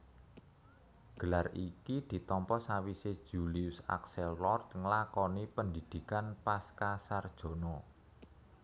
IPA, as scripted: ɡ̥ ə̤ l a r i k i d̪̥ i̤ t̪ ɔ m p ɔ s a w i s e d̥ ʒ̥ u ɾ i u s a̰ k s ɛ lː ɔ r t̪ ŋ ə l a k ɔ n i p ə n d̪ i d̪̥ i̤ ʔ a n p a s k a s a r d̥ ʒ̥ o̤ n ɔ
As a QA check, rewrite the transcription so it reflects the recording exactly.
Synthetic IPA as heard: ɡ̥ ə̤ l a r i k i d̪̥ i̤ t̪ ɔ m p ɔ s a w i s e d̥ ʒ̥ u l i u s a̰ k s ɛ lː ɔ r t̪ ŋ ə l a k ɔ n i p ə n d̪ i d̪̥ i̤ k a n p a s k a s a r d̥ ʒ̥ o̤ n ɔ

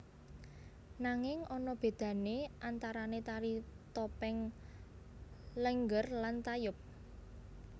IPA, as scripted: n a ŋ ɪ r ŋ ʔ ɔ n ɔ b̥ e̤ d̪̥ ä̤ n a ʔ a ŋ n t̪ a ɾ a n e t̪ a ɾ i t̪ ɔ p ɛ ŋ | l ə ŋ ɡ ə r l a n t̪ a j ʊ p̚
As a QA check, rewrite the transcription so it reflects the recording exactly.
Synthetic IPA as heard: n a ŋ ɪ ŋ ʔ ɔ n ɔ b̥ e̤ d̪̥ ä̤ n e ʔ a n t̪ a ɾ a n e t̪ a ɾ i t̪ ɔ p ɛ ŋ | l ə ŋ ɡ ə r l a n t̪ a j ʊ p̚

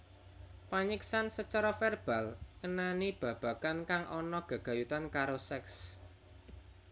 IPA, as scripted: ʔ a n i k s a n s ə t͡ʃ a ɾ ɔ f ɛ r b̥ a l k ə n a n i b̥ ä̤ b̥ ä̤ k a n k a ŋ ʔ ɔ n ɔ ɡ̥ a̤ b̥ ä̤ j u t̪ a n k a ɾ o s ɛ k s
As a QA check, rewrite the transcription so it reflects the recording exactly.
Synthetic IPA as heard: p a ɲ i k s a n s ə t͡ʃ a ɾ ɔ f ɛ r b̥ a l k ə n a n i b̥ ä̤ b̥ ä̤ k a n k a ŋ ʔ ɔ n ɔ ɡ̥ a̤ ɡ̥ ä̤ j u t̪ a n k a ɾ o s ɛ k s

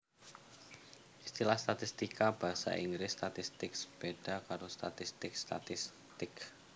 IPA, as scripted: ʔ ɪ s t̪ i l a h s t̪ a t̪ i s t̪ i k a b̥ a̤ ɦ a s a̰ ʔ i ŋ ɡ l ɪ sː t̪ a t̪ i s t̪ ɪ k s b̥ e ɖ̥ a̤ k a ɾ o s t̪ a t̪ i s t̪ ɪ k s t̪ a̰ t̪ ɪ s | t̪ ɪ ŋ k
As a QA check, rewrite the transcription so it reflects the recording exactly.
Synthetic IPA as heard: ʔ i s t̪ i l a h s t̪ a t̪ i s t̪ i k a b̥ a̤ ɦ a s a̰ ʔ i ŋ ɡ ɾ ɪ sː t̪ a t̪ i s t̪ ɪ k s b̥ e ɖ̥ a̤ k a ɾ o s t̪ a t̪ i s t̪ ɪ k s t̪ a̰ t̪ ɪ s | t̪ ɪ k

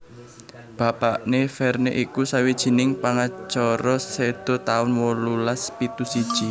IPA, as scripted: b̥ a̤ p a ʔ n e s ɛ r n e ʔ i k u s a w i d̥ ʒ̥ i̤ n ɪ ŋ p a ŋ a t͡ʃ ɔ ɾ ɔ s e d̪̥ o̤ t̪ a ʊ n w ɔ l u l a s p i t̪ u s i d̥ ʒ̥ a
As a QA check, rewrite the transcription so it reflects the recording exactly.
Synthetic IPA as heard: b̥ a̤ p a ʔ n e f ɛ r n e ʔ i k u s a w i d̥ ʒ̥ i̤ n ɪ ŋ p a ŋ a t͡ʃ ɔ ɾ ɔ s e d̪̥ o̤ t̪ a ʊ n w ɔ l u l a s p i t̪ u s i d̥ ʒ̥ i

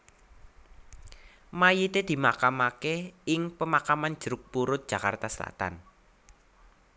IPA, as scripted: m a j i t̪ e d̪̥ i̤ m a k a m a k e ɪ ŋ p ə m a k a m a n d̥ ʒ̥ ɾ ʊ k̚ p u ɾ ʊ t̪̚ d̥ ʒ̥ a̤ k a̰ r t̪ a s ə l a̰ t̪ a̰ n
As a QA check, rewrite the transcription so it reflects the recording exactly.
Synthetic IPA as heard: m a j i t̪ e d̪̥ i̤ m a k a m a k e ɪ ŋ p ə m a k a m a n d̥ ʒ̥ ɾ ʊ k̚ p u ɾ ʊ t̪̚ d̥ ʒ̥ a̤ k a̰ r t̪ a s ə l a̰ t̪ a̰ n

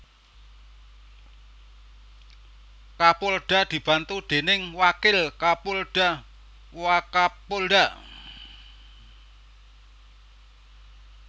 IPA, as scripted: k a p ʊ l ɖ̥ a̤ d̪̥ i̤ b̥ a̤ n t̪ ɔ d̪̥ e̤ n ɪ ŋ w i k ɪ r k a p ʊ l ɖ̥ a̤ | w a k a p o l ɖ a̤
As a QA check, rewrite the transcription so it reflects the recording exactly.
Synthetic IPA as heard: k a p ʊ l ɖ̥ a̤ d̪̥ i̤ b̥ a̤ n t̪ u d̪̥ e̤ n ɪ ŋ w a k ɪ l k a p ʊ l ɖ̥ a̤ | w a k a p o l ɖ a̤

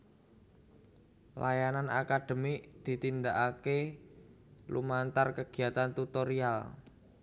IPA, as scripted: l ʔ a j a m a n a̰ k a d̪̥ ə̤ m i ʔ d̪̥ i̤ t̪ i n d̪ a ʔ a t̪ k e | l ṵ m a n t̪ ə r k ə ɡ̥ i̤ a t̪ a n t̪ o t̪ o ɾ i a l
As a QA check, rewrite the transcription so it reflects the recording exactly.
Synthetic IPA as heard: l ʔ a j a n a n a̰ k a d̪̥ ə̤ m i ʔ d̪̥ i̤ t̪ i n d̪ a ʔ a k e | l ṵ m a n t̪ a r k ə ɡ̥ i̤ a t̪ a n t̪ u t̪ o ɾ i a l

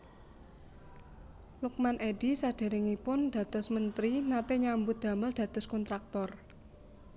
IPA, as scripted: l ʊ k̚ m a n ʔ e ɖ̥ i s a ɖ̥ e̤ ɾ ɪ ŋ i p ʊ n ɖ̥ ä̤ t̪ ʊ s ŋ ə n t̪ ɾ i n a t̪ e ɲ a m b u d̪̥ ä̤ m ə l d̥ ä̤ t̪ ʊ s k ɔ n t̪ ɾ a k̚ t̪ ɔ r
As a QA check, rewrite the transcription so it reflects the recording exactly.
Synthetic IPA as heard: l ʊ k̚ m a n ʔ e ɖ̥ i s a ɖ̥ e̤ ɾ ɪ ŋ i p ʊ n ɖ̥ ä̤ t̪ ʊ s m ə n t̪ ɾ i n a t̪ e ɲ a m b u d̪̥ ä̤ m ə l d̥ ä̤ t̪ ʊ s k ɔ n t̪ ɾ a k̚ t̪ ɔ r

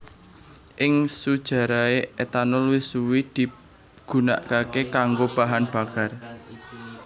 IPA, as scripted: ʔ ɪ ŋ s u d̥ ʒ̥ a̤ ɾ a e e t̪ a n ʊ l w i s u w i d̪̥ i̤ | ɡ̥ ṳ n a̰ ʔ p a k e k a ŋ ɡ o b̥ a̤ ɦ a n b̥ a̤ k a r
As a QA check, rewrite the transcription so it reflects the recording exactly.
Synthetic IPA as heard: ʔ ɪ ŋ s u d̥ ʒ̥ a̤ ɾ a e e t̪ a n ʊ l w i s u w i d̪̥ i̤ | ɡ̥ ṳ n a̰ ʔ k a k e k a ŋ ɡ o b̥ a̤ ɦ a n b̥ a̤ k a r

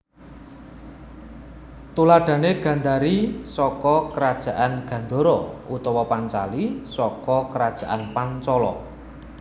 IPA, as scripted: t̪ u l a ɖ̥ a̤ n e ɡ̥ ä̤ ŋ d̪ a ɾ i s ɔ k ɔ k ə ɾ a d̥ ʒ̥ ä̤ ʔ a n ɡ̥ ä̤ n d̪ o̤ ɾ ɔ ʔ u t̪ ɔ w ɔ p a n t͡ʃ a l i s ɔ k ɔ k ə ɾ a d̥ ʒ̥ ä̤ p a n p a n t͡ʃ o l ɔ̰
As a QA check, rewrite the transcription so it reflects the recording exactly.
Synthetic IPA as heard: t̪ u l a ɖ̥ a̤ n e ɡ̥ ä̤ n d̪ a ɾ i s ɔ k ɔ k ə ɾ a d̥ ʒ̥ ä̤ ʔ a n ɡ̥ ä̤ n d̪ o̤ ɾ ɔ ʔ u t̪ ɔ w ɔ p a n t͡ʃ a l i s ɔ k ɔ k ə ɾ a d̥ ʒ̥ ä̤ ʔ a n p a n t͡ʃ ɔ l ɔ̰

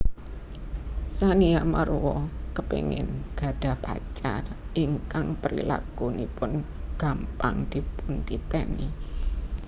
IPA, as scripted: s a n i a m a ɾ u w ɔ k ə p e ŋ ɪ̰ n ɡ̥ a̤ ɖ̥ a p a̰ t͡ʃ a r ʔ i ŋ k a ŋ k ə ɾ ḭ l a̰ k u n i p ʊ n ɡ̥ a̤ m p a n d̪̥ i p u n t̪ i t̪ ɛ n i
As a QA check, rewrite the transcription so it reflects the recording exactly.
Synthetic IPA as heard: s a n i a m a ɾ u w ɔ k ə p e ŋ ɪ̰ n ɡ̥ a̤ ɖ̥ a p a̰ t͡ʃ a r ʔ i ŋ k a ŋ p ə ɾ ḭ l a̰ k u n i p ʊ n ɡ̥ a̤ m p a ŋ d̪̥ i p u n t̪ i t̪ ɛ n i

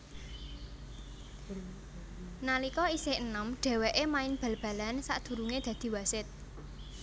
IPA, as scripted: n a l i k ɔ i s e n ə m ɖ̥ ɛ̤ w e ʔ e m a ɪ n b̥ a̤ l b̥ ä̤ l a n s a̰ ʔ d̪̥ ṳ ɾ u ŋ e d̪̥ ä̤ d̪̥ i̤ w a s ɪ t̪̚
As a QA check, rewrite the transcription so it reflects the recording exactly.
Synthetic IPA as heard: n a l i k ɔ i s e n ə m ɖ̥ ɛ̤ w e ʔ e m a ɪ n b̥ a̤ l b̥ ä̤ l a n s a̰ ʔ d̪̥ ṳ ɾ u ŋ e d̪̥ ä̤ d̪̥ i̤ w a s ɪ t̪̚

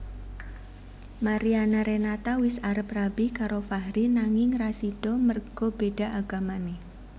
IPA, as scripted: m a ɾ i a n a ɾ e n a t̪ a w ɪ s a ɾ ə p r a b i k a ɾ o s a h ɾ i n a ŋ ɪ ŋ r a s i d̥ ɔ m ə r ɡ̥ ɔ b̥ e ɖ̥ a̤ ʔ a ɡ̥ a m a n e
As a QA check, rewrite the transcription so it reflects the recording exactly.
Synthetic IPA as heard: m a ɾ i a n a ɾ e n a t̪ a w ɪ s a ɾ ə p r a b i k a ɾ o f a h ɾ i n a ŋ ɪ ŋ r a s i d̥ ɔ m ə r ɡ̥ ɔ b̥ e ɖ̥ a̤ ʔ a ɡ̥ a m a n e

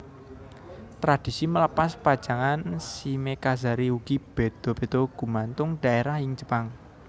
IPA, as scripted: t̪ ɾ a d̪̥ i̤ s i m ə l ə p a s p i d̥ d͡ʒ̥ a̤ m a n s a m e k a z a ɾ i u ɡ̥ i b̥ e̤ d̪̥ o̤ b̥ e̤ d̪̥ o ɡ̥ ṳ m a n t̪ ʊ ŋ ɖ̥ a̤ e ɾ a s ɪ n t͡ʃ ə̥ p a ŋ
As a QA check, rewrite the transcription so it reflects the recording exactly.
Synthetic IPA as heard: t̪ ɾ a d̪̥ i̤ s i m ə l ə p a s p a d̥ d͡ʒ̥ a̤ ŋ a n s i m e k a z a ɾ i u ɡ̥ i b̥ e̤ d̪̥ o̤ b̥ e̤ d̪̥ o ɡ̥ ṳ m a n t̪ ʊ ŋ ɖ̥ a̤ e ɾ a h ɪ ŋ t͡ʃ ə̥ p a ŋ

